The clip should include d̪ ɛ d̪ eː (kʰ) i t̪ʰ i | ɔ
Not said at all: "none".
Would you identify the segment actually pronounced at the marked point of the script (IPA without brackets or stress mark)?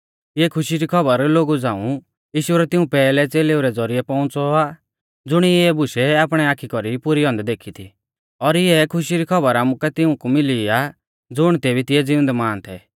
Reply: kʰ